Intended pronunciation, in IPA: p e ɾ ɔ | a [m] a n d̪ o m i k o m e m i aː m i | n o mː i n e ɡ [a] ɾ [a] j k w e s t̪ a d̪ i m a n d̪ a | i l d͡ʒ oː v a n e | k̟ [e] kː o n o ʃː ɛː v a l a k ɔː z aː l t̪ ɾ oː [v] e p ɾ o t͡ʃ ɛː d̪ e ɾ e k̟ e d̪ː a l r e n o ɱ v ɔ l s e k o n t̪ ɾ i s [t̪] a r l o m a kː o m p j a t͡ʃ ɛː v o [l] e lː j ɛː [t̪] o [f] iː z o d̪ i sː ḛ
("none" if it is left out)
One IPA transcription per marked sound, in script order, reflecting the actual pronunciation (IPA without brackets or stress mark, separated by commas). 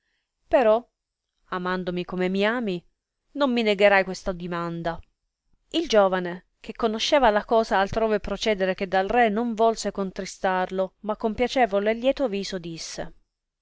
m, e, a, e, v, t̪, l, t̪, v